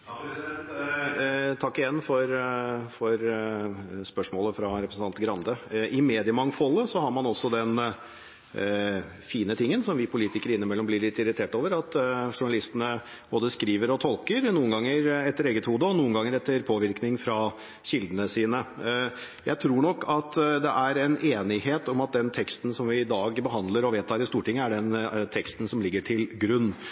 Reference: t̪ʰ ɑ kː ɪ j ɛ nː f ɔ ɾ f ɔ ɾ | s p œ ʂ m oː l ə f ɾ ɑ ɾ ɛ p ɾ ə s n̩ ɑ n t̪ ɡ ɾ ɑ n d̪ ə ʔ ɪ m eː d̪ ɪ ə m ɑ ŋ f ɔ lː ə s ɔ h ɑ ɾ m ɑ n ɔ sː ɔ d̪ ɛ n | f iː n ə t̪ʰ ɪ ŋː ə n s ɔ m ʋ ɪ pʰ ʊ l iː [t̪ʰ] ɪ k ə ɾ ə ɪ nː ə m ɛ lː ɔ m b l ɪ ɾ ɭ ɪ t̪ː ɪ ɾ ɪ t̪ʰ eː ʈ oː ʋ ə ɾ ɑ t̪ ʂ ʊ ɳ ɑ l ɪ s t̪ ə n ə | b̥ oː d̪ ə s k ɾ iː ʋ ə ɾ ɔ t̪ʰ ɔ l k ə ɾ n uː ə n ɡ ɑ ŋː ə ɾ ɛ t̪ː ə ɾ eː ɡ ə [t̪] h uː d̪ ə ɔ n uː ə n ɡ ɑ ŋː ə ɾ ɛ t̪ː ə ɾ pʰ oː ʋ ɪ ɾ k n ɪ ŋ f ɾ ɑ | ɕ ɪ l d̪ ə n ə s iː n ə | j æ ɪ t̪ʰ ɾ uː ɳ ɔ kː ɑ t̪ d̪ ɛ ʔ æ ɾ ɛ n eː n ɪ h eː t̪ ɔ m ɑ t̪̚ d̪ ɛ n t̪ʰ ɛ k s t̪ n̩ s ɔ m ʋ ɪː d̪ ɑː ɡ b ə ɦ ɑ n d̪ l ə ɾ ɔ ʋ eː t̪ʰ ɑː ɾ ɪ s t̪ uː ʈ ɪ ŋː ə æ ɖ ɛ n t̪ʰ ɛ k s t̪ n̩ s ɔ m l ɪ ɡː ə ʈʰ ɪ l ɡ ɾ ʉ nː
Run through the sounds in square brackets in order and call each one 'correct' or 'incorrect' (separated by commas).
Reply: incorrect, correct